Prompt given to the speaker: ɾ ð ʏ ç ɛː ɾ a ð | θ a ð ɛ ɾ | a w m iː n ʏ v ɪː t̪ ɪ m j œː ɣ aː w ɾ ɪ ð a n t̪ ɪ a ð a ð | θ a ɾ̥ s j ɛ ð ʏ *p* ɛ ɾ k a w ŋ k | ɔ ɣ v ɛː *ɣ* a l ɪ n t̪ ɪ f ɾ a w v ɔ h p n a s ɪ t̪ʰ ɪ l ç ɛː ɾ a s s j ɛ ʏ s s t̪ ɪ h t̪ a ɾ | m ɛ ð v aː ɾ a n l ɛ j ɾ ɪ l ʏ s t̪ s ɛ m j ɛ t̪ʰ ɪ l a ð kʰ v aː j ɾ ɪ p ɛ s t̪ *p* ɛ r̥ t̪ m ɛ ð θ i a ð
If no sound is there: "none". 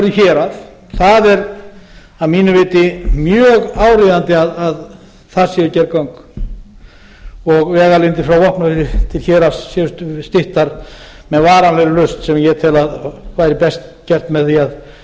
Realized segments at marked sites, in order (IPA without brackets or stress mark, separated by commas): c, ɣ, c